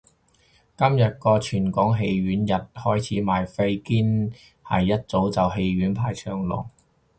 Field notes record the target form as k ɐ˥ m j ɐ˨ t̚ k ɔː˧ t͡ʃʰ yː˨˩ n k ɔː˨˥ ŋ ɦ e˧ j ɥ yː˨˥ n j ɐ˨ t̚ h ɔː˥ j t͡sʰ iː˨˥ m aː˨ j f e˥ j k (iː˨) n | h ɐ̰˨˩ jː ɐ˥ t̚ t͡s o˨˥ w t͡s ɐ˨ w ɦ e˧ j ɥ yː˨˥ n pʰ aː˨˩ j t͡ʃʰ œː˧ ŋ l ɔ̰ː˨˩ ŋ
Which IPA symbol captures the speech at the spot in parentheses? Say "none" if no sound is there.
iː˥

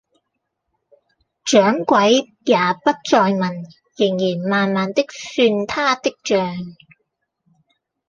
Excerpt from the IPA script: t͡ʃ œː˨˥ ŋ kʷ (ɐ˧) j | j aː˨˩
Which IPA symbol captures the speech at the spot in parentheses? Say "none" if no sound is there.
ɐ˨˥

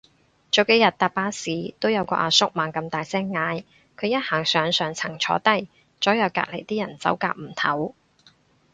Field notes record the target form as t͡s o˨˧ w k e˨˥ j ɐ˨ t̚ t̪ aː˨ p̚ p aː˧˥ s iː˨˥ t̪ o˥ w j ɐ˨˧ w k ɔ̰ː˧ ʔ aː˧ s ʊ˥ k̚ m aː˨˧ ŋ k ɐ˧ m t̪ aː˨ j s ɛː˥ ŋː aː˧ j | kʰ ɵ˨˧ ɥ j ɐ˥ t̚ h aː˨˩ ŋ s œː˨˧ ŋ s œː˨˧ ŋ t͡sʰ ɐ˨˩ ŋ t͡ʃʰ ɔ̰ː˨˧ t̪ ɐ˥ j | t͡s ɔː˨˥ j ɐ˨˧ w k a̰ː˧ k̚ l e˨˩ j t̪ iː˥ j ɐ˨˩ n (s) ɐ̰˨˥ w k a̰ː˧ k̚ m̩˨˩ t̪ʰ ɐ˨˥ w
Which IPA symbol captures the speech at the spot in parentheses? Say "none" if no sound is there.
t͡s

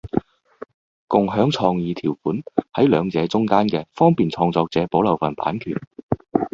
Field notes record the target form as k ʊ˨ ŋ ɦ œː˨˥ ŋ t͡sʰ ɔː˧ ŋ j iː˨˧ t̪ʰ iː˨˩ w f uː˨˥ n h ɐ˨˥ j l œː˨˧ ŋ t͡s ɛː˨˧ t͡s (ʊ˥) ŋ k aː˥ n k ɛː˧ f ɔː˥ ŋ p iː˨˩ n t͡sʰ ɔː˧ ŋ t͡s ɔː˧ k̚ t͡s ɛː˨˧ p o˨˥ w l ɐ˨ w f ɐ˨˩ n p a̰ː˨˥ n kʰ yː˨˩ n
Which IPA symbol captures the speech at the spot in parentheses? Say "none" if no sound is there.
ʊ˥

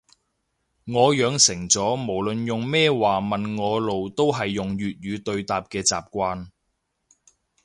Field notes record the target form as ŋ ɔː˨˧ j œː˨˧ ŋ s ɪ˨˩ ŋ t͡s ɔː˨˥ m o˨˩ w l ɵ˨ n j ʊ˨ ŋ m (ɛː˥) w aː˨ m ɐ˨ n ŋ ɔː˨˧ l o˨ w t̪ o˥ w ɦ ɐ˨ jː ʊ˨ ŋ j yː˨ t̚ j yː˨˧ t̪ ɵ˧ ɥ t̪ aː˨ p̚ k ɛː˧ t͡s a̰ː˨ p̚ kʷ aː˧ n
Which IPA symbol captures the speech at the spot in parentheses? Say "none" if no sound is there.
ɛː˥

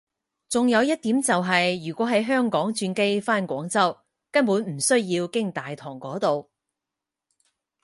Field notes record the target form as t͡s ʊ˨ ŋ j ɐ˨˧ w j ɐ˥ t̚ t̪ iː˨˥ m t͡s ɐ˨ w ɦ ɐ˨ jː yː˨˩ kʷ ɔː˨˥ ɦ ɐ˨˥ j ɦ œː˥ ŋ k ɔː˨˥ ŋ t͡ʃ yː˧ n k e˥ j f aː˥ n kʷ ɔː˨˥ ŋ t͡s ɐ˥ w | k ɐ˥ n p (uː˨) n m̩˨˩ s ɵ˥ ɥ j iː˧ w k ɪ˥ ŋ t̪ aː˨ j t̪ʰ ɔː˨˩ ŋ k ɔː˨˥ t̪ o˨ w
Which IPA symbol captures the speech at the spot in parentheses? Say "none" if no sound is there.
uː˨˥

